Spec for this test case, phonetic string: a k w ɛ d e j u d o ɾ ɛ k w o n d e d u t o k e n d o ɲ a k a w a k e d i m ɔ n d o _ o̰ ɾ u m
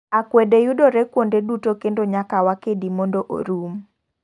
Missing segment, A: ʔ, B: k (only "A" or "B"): A